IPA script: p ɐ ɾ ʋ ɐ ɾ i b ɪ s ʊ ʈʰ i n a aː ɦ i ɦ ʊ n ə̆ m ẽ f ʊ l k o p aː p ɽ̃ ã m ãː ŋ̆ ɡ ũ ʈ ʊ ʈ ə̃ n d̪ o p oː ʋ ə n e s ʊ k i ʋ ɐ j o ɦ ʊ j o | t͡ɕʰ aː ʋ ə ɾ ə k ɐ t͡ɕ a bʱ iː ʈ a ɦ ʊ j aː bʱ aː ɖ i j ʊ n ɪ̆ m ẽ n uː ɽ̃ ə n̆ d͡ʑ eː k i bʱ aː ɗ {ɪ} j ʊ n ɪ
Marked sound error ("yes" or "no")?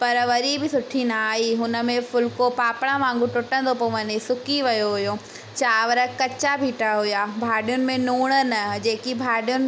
yes